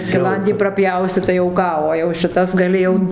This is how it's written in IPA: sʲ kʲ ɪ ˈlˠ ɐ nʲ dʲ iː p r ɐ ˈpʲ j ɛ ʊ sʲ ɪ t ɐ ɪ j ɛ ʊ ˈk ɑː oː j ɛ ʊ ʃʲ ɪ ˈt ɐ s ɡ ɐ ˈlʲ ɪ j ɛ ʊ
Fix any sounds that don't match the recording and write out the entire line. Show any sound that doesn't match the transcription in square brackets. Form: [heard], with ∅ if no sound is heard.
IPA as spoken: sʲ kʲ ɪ ˈlˠ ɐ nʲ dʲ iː p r ɐ ˈpʲ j ɛ ʊ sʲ ɪ t ɐ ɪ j ɛ ʊ ˈk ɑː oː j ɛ ʊ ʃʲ ɪ ˈt ɐ s ɡ ɐ ˈlʲ ɪ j ɛ ʊ